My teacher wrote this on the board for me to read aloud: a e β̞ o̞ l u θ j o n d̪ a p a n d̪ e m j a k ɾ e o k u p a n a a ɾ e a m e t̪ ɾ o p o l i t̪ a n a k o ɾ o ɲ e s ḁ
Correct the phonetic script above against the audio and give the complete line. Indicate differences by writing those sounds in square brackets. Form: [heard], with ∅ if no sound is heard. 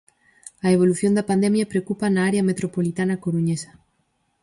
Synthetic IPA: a e β̞ o̞ l u θ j o n d̪ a p a n d̪ e m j a [p] ɾ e o k u p a n a a ɾ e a m e t̪ ɾ o p o l i t̪ a n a k o ɾ [u] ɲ e s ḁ

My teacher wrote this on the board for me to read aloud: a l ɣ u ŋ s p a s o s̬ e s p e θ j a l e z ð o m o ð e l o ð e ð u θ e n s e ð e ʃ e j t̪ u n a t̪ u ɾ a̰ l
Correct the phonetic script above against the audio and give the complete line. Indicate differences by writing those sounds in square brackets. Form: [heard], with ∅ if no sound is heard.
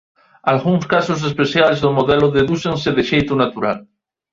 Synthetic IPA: a l ɣ u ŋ s [k] a s o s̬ e s p e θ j a l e z ð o m o ð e l o ð e ð u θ e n s e ð e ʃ e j t̪ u n a t̪ u ɾ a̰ l

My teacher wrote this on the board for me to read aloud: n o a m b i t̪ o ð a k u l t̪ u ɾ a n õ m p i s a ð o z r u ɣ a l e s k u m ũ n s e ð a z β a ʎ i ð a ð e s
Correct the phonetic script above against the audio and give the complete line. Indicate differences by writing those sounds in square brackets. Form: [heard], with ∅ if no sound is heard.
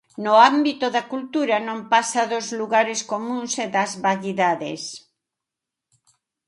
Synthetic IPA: n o a m b i t̪ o ð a k u l t̪ u ɾ a n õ m p [a] s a ð o z [l] u ɣ a [ɾ] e s k [o] m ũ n s e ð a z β a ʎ i ð a ð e s

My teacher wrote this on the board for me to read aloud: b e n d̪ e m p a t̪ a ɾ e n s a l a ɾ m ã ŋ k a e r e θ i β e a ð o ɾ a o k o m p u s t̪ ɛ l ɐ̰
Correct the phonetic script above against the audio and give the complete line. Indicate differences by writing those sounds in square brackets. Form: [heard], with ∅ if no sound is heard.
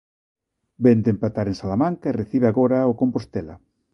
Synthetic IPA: b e n d̪ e m p a t̪ a ɾ e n s a l a [∅] m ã ŋ k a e r e θ i β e a [ɣ] o ɾ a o k o m p [o] s t̪ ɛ l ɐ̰

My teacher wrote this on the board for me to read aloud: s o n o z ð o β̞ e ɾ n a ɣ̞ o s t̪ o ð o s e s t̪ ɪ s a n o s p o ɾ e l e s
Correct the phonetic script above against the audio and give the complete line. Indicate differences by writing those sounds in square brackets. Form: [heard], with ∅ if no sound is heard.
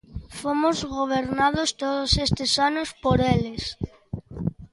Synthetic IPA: [f] o [m] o z [ɣ] o β̞ e ɾ n a [ð̞] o s t̪ o ð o s e s t̪ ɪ s a n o s p o ɾ e l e s

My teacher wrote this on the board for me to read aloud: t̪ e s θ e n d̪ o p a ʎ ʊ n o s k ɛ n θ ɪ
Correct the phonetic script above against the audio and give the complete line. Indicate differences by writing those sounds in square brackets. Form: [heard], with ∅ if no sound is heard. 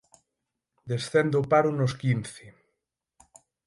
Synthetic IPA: [d̪] e s θ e n d̪ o p a [ɾ] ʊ n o s k [i] n θ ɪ

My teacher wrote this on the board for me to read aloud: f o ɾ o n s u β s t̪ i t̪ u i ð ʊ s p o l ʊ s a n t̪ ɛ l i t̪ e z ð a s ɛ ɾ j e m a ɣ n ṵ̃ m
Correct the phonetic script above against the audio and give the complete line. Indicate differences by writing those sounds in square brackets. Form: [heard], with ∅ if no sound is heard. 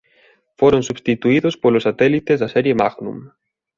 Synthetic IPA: f o ɾ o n s u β s t̪ i t̪ u i ð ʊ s p o l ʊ s a [∅] t̪ ɛ l i t̪ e z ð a s ɛ ɾ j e m a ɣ n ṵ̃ m

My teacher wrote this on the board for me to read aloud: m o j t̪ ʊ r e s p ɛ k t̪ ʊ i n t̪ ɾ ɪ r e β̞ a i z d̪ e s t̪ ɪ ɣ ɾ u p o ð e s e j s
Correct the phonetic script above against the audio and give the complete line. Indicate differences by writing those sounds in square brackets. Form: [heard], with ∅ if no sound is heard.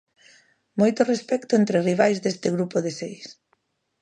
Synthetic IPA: m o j t̪ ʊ r e s p ɛ k t̪ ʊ [e] n t̪ ɾ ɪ r [i] β̞ a [j] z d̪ e s t̪ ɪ ɣ ɾ u p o ð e s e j s

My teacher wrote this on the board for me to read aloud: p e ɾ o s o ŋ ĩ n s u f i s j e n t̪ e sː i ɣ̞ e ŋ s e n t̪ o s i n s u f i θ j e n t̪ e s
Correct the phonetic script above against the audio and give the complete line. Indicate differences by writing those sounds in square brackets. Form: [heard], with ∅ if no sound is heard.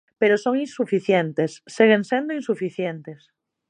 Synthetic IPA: p e ɾ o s o ŋ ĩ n s u f i [θ] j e n t̪ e sː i ɣ̞ e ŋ s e n [d̪] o [∅] i n s u f i θ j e n t̪ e s

